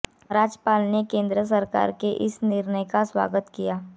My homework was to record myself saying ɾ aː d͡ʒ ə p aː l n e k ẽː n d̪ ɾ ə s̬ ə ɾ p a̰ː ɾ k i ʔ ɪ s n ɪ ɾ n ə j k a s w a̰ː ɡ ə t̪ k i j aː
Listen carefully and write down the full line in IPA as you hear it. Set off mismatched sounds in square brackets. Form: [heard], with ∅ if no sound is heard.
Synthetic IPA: ɾ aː d͡ʒ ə p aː l n e k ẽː n d̪ ɾ ə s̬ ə ɾ [k] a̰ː ɾ k [e] ʔ ɪ s n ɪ ɾ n ə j k a s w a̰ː ɡ ə t̪ k i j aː